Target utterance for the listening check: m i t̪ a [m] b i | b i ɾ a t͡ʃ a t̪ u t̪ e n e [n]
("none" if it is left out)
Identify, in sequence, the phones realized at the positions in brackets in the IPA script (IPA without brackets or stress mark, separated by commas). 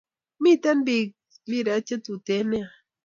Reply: n, none